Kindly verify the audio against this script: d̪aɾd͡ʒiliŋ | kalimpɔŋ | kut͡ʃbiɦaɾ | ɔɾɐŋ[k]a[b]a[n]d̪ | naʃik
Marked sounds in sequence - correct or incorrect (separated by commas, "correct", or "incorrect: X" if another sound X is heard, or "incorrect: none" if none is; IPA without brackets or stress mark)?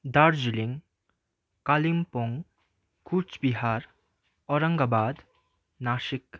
incorrect: ɡ, correct, incorrect: none